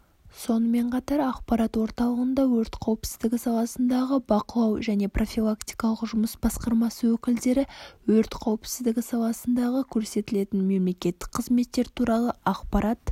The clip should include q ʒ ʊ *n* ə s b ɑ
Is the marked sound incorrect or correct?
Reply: incorrect